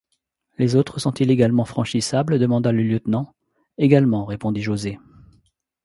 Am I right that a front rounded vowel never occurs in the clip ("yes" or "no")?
yes